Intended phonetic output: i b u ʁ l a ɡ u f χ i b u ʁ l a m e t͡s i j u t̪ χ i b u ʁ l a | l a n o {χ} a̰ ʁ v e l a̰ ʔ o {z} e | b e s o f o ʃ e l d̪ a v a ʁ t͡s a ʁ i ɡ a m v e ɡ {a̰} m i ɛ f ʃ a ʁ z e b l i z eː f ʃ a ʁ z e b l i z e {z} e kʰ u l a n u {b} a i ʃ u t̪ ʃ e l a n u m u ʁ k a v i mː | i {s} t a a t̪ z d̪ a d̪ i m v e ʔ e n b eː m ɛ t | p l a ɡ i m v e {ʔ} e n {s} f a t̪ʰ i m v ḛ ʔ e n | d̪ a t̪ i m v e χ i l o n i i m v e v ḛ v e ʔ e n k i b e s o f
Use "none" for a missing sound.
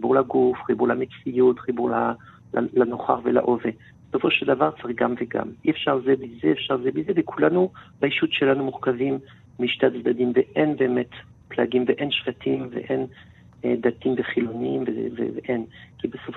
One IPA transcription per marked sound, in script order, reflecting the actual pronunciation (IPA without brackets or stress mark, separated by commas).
χ, v, a̰, v, b, ʃ, ʔ, ʃ